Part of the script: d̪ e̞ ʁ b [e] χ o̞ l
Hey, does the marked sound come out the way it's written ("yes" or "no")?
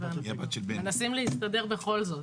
yes